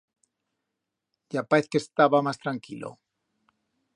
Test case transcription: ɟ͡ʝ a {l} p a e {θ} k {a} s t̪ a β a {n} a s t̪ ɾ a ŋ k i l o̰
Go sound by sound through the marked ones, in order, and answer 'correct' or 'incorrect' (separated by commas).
incorrect, correct, incorrect, incorrect